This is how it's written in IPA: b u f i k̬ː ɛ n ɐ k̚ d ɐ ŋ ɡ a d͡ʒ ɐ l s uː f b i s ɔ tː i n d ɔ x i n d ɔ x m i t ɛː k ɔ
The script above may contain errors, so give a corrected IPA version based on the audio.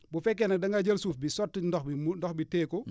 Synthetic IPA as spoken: b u f ɛ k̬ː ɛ n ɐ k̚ d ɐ ŋ ɡ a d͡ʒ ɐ l s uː f b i s ɔ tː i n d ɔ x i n d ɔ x b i t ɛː k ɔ